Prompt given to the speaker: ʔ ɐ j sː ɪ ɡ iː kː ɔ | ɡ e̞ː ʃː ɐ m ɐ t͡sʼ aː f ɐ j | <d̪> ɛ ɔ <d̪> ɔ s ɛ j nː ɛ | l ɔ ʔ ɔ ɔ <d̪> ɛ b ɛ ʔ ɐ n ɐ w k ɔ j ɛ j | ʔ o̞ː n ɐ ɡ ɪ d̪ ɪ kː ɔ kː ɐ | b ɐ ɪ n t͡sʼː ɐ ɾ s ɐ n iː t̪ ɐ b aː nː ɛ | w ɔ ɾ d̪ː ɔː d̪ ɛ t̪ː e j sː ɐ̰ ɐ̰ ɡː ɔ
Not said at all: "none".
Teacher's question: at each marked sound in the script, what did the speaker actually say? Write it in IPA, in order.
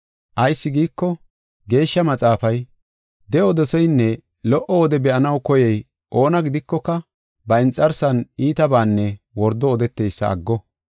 d̪, d̪, d̪

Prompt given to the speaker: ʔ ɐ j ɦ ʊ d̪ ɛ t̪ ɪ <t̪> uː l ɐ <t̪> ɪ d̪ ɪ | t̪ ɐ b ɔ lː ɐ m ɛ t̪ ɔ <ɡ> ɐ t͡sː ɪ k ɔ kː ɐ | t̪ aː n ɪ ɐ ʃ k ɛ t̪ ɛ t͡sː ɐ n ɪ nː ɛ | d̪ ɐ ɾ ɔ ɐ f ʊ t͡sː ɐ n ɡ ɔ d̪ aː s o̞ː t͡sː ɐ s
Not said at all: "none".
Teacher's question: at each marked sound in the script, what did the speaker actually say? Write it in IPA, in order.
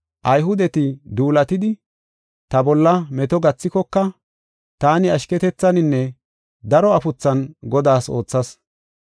d̪, t̪, ɡ

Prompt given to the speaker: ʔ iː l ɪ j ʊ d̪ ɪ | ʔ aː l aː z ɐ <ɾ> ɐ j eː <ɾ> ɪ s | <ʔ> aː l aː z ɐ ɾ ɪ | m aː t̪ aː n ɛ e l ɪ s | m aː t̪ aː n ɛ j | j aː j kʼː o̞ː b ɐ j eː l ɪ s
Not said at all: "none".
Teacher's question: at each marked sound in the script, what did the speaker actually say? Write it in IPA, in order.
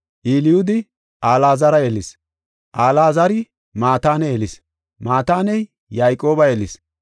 ɾ, l, ʔ

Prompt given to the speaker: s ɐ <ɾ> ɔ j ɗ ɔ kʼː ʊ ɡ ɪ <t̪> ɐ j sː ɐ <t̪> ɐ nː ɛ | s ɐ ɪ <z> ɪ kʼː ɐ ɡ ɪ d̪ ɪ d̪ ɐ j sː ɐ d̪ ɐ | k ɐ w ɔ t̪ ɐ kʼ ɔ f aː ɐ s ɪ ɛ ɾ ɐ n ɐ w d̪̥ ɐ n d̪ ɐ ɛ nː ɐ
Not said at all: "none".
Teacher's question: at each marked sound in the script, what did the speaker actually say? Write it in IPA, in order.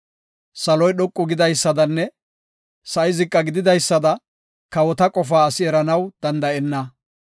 l, d̪, d̪, z

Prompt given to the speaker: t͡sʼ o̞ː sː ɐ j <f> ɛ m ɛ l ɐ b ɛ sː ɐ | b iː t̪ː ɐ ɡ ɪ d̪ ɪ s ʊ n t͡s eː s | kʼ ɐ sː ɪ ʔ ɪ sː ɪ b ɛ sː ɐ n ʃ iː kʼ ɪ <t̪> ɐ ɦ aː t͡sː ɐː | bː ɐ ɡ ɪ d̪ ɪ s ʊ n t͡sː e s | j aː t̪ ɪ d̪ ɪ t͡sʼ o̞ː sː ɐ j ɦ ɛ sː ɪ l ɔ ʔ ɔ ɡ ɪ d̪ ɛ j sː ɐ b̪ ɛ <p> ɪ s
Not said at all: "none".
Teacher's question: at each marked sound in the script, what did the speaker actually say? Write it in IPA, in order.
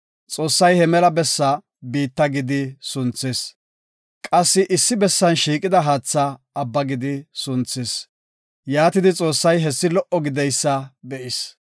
h, d̪, ʔ

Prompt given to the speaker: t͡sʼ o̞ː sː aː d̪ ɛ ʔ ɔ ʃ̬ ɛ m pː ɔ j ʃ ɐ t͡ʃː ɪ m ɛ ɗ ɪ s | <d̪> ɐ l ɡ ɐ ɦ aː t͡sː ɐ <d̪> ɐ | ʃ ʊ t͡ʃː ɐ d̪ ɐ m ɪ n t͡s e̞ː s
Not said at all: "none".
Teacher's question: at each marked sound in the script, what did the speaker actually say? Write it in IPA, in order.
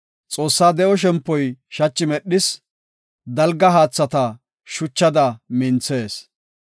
d̪, t̪

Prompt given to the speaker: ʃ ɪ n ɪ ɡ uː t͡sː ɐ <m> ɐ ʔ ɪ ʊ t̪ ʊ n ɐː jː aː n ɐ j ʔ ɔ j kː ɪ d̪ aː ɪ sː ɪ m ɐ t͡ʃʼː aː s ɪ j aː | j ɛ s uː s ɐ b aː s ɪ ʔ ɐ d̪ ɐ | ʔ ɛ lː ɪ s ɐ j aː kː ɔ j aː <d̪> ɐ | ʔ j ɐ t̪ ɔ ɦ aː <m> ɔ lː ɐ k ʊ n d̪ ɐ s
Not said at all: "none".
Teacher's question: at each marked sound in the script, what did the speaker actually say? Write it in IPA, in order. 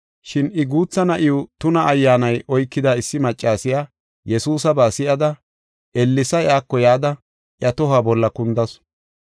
n, d̪, b

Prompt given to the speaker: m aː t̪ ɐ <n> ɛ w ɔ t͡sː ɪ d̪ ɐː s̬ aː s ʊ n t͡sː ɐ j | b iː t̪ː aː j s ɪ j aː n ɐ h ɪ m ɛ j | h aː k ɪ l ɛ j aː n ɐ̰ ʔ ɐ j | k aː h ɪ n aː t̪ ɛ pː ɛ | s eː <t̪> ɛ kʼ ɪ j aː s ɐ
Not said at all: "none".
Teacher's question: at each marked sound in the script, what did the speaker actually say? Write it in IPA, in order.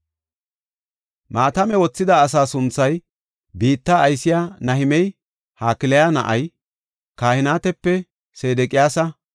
m, d̪

